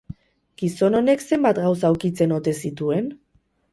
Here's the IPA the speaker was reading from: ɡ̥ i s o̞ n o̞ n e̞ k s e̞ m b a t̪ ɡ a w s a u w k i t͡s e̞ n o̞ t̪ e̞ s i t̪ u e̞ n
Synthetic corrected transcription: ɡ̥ i s o̞ n o̞ n e̞ k s e̞ m b a t̪ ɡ a w s a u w k i t͡s e̞ n o̞ t̪ e̞ s i t̪ u e̞ n